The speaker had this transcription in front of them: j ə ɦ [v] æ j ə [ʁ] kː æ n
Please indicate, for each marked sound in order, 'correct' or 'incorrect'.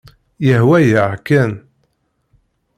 incorrect, incorrect

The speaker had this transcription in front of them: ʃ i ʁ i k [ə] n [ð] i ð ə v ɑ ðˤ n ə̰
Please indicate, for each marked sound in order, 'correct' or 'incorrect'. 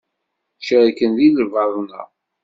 correct, correct

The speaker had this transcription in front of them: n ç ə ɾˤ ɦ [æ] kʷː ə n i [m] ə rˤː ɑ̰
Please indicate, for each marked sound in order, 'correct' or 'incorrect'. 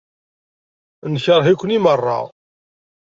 incorrect, correct

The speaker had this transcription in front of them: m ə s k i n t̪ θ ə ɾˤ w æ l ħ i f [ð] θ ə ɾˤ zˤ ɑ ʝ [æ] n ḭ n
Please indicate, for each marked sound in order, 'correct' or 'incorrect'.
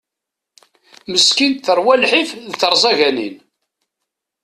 correct, correct

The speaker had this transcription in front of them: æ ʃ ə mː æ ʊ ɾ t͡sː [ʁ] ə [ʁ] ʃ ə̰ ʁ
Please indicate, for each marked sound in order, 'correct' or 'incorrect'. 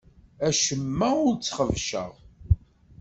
incorrect, incorrect

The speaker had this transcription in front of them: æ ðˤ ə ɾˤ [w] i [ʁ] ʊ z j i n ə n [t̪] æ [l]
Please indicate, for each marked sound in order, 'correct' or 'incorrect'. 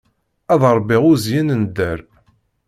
incorrect, correct, incorrect, incorrect

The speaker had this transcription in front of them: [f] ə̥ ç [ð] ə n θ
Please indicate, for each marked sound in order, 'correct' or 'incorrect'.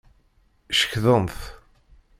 incorrect, correct

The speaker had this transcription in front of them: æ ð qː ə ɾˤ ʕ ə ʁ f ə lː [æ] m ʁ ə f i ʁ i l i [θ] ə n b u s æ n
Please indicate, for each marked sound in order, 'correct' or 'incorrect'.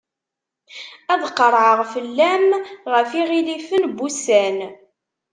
correct, incorrect

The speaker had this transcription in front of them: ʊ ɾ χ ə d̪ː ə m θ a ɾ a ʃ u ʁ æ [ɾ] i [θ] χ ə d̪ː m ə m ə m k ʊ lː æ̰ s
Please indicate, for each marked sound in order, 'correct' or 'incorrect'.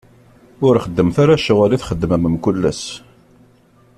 incorrect, correct

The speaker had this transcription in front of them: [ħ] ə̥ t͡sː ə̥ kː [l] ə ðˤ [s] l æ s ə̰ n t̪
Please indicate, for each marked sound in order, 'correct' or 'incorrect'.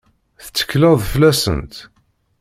incorrect, correct, incorrect

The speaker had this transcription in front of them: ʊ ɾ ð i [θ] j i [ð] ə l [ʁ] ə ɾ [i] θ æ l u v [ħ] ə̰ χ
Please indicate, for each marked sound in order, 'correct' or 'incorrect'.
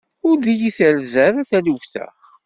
incorrect, incorrect, incorrect, incorrect, incorrect

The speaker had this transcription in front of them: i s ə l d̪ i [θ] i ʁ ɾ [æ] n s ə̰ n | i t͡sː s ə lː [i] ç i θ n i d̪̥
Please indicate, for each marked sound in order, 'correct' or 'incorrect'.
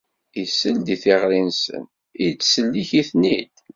correct, incorrect, correct

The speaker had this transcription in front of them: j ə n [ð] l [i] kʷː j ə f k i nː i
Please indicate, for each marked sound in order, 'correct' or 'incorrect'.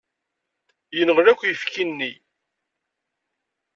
incorrect, incorrect

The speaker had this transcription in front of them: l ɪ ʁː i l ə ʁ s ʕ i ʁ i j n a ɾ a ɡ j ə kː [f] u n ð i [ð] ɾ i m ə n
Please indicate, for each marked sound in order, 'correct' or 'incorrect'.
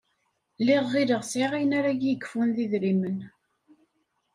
correct, correct

